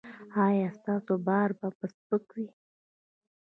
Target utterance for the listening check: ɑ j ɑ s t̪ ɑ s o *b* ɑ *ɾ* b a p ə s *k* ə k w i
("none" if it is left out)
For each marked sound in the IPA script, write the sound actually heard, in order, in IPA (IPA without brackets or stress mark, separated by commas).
b, ɾ, p